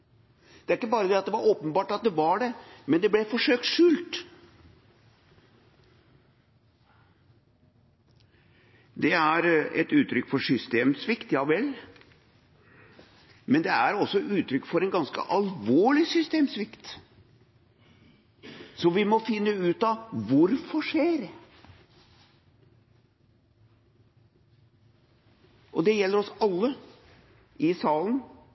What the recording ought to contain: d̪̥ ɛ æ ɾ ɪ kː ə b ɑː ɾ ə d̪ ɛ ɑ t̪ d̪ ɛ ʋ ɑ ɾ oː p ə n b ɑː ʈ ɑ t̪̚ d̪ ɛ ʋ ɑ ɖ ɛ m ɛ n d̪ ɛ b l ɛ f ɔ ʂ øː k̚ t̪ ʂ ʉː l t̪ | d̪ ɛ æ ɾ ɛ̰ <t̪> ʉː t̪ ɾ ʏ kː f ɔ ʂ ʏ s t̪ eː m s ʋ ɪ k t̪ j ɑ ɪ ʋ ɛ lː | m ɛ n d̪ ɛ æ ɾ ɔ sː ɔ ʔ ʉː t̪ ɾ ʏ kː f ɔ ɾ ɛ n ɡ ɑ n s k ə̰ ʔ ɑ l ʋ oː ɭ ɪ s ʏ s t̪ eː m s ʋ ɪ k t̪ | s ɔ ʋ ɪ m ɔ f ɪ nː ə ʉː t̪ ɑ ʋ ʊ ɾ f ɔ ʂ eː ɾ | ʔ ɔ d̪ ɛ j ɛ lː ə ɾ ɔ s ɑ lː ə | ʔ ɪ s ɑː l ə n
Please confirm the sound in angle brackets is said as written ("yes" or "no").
yes